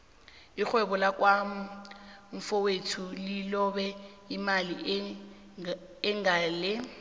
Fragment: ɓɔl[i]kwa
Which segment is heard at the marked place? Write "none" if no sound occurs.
a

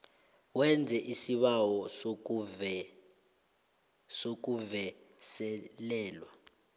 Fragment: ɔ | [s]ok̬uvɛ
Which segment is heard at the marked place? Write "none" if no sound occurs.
s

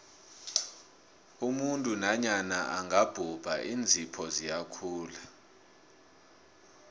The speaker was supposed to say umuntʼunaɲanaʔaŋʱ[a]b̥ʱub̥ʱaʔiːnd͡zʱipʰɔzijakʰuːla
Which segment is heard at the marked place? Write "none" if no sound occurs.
a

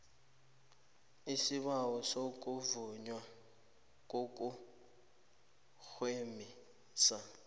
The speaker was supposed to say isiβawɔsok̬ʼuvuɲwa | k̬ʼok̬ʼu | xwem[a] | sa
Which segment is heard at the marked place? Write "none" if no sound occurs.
i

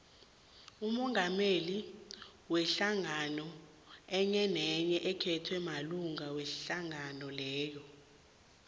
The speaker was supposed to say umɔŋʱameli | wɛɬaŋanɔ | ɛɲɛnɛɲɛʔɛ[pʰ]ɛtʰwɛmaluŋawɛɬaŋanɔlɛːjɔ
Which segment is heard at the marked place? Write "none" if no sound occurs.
kʰ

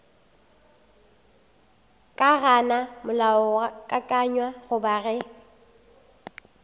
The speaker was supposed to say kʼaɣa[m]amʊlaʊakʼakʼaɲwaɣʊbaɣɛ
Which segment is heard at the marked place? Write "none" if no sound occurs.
n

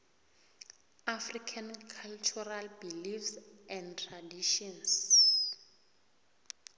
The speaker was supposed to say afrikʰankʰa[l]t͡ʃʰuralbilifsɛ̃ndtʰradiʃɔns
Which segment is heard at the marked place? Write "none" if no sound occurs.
l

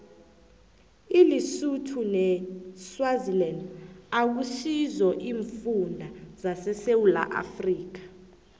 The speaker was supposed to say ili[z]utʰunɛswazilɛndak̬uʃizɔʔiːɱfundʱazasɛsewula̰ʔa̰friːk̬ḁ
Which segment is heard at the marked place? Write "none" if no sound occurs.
s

